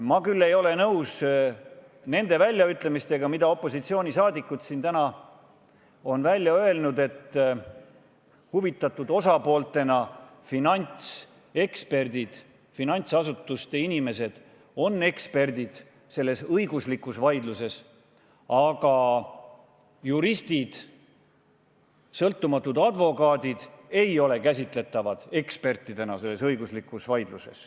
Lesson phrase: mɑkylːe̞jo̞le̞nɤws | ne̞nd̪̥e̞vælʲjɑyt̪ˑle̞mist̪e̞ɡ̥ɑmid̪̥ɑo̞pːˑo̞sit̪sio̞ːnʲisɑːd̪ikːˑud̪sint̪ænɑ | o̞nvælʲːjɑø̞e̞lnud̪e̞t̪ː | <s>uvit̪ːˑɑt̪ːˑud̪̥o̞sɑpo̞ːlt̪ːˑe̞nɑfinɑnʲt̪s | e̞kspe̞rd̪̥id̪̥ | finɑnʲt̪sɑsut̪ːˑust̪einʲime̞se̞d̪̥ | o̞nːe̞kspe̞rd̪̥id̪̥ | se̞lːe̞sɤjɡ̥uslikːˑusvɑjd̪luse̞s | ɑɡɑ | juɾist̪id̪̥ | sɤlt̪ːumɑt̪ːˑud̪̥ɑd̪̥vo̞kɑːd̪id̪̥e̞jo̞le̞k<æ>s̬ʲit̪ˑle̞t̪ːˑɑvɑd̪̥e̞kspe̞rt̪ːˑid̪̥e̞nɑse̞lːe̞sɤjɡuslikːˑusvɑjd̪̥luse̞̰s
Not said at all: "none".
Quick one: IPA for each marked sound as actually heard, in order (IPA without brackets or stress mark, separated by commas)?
h, æ